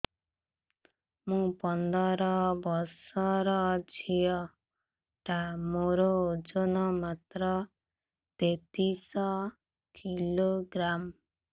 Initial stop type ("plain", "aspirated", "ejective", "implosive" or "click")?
plain